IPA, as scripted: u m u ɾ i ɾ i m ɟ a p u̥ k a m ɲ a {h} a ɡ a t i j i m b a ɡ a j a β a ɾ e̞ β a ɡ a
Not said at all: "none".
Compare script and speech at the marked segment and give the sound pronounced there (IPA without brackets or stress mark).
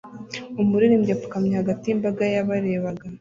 h